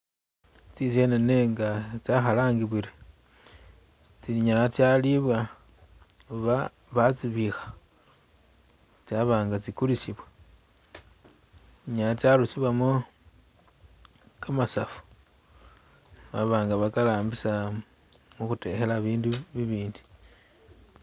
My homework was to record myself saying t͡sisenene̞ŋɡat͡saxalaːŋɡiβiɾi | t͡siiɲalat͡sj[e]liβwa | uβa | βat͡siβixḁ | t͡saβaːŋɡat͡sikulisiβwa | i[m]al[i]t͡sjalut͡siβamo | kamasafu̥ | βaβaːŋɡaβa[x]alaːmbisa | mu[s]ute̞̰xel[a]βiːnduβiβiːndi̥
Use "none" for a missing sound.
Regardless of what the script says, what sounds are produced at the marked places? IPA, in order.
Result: a, ɲ, a, k, x, a

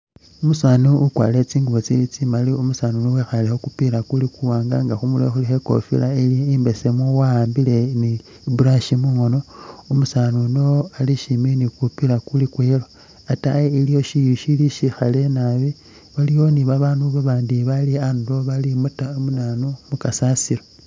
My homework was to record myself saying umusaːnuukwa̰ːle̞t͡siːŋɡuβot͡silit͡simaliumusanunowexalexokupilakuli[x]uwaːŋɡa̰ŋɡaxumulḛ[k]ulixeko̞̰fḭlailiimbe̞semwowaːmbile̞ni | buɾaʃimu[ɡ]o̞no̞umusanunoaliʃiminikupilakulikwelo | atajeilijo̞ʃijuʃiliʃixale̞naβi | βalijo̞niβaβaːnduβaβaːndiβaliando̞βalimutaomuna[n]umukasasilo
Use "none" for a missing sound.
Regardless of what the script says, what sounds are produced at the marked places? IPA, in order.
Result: k, x, ŋ, n

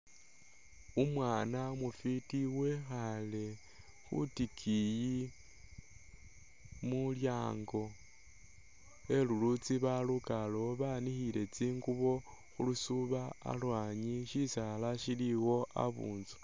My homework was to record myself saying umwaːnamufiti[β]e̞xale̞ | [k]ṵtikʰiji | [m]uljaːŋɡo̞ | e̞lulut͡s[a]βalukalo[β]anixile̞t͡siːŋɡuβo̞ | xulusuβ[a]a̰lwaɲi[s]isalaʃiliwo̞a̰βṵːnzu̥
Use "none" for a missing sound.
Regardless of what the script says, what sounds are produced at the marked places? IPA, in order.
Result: w, x, m, i, β, a, ʃ

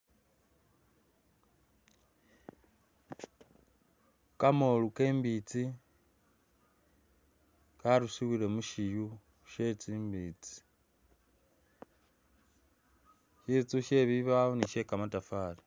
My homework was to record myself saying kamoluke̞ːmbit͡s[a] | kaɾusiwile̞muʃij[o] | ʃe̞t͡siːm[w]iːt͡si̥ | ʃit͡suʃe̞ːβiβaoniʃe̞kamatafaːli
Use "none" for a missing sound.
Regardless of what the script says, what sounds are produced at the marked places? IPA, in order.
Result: i, u, b

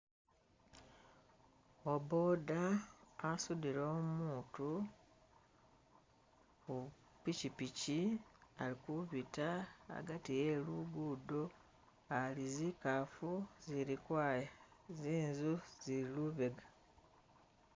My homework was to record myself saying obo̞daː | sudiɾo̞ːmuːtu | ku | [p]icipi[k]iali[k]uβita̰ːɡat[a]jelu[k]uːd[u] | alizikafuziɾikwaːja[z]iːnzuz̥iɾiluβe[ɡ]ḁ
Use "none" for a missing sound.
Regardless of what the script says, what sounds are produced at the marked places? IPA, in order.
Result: p, c, k, i, ɡ, o, z, ɡ

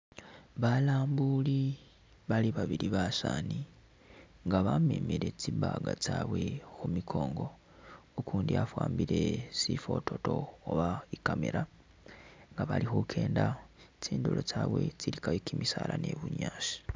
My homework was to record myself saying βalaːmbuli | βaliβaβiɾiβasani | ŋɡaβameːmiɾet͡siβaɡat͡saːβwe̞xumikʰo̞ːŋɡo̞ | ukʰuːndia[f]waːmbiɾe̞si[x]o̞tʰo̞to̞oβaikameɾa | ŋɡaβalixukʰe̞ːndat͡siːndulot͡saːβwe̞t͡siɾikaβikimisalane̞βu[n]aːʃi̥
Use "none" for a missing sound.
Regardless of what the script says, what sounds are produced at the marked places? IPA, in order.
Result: f, f, ɲ

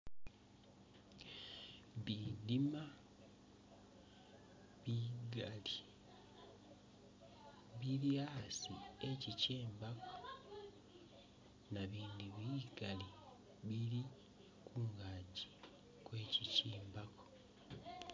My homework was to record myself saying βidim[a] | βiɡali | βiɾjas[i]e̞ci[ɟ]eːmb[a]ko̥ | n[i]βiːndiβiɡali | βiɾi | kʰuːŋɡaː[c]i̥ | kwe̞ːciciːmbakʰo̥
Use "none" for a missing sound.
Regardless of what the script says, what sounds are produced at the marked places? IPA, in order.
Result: a, i, c, a, a, ɟ

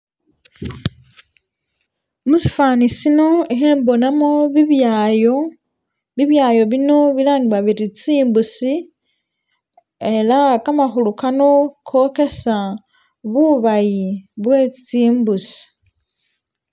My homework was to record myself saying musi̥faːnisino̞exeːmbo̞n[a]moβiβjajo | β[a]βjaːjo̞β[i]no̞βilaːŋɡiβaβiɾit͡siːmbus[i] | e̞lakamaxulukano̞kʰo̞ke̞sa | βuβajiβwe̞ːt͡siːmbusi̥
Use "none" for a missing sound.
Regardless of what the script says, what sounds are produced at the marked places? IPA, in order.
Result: a, i, i, i

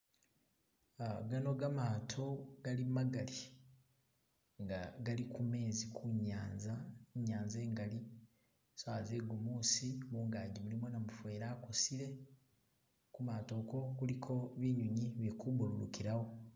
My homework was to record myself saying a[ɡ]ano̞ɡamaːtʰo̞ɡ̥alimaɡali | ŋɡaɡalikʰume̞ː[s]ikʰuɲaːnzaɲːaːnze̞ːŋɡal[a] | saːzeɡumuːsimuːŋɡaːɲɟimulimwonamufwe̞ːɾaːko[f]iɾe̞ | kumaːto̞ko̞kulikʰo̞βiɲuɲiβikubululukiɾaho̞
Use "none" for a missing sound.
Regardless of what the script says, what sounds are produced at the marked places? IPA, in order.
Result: ɡ, z, i, s

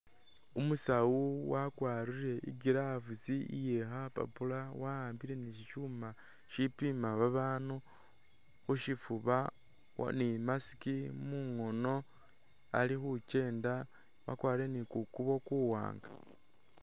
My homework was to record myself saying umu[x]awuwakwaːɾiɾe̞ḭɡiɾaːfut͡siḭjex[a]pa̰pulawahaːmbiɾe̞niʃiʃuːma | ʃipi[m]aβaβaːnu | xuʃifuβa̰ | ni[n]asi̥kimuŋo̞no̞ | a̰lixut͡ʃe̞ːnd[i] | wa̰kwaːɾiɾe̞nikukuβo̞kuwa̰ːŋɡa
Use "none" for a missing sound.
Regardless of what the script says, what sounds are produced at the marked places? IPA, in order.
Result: s, a, m, m, a

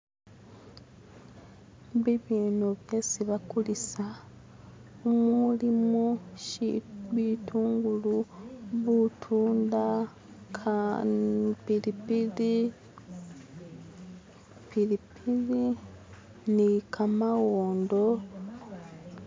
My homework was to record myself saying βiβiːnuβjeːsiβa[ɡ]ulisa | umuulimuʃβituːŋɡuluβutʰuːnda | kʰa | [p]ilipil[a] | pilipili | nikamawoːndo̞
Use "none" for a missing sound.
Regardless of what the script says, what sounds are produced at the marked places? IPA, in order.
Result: k, p, i

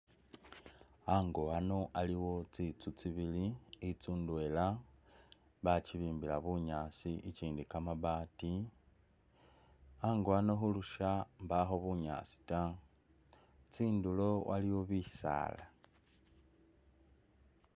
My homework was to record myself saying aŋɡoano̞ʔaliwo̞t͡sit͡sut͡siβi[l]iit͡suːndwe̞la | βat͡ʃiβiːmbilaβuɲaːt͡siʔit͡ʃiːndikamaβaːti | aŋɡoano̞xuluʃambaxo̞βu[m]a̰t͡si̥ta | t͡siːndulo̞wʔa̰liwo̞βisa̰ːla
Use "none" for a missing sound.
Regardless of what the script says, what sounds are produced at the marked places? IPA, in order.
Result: l, ɲ

